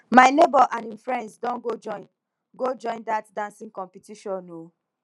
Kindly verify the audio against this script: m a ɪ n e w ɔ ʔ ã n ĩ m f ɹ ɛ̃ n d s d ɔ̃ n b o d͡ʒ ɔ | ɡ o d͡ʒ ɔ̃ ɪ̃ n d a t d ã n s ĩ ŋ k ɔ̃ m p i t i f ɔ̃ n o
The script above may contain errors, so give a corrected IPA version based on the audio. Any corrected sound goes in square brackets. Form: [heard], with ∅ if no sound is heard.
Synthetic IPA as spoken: m a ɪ n e [b] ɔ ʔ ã n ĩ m f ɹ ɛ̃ n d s d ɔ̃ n [ɡ] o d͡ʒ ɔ | ɡ o d͡ʒ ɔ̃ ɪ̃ n d a t d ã n s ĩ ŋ k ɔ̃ m p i t i [ʃ] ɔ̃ n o